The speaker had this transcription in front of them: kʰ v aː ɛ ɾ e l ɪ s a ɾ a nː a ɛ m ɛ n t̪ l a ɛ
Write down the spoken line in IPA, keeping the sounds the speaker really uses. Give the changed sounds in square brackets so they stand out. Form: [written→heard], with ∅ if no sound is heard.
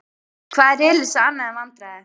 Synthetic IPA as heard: kʰ v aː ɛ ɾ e l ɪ s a [ɾ→∅] a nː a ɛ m [ɛ→a] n t̪ [l→ɾ] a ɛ